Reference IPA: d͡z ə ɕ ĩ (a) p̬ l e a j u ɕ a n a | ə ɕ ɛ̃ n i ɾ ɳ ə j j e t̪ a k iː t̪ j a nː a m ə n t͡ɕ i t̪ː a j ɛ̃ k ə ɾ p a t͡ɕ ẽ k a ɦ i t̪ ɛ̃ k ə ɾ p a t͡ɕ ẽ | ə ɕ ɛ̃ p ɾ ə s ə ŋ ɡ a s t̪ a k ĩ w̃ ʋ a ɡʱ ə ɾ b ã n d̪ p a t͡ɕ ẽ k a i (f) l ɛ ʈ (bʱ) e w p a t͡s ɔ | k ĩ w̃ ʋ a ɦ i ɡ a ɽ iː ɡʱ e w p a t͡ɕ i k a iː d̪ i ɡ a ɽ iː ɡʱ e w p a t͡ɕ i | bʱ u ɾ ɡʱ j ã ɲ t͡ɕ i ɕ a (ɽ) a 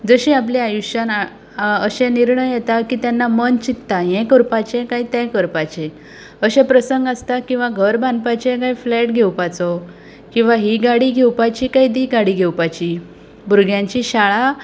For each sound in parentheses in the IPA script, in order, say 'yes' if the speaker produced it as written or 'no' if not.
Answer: yes, yes, no, no

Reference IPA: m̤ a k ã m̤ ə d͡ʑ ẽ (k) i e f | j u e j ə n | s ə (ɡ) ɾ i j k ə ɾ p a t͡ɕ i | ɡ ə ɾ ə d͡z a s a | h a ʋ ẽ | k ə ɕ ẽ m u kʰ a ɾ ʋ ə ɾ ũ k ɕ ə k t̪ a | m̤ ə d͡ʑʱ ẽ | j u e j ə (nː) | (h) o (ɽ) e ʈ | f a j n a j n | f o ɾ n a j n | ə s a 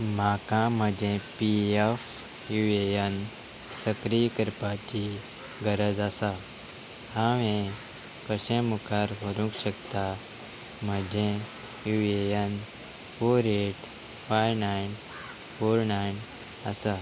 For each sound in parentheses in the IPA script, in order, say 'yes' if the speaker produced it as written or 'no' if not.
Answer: no, no, no, no, no

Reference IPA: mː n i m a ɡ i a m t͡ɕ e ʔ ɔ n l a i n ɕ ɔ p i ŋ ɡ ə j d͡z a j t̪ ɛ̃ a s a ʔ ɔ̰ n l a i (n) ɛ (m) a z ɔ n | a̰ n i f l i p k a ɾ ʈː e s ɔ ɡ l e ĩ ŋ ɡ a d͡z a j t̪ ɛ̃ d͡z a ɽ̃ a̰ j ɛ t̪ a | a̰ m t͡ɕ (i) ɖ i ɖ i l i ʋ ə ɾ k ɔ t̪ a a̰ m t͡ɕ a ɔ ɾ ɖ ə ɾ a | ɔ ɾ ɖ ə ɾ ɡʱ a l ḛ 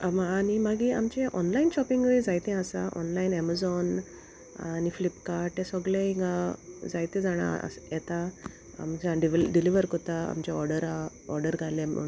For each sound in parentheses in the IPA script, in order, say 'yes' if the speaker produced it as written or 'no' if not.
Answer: yes, yes, no

